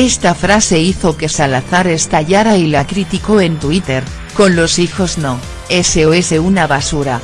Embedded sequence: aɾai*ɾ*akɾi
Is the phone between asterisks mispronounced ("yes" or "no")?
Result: yes